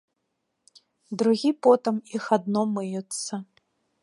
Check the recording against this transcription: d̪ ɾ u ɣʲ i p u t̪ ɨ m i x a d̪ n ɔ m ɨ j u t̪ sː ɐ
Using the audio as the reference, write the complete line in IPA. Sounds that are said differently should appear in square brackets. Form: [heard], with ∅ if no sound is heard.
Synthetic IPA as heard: d̪ ɾ u ɣʲ i p [ɔ] t̪ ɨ m i x a d̪ n ɔ m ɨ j u t̪ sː ɐ